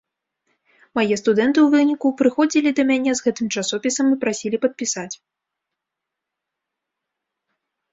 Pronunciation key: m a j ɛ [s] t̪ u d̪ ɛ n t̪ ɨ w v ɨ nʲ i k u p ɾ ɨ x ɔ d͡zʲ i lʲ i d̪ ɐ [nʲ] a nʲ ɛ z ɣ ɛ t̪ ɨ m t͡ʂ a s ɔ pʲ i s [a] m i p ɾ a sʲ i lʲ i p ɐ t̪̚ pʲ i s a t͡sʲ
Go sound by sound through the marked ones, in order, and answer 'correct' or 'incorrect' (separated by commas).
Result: correct, incorrect, incorrect